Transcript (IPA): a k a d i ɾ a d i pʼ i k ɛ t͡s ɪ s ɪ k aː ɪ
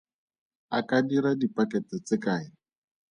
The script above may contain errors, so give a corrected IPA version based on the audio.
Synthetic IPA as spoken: a k a d i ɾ a d i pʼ a k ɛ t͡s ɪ t͡s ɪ k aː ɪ